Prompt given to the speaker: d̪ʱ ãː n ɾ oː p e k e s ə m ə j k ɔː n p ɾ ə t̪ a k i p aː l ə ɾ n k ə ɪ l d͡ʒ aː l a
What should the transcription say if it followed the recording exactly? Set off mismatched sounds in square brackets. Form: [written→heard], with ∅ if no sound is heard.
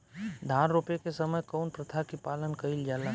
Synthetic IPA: d̪ʱ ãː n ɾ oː p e k e s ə m ə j k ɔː n p ɾ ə [t̪→t̪ʰ] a k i p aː l ə [ɾ→∅] n k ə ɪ l d͡ʒ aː l a